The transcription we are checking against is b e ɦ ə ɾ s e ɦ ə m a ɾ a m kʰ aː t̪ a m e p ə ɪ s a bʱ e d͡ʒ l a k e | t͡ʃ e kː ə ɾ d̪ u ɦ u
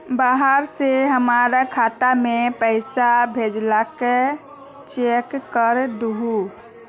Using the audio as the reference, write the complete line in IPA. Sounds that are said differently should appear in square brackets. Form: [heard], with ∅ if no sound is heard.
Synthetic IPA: b [a] ɦ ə ɾ s e ɦ ə m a ɾ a [∅] kʰ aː t̪ a m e p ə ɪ s a bʱ e d͡ʒ l a k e | t͡ʃ e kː ə ɾ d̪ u ɦ u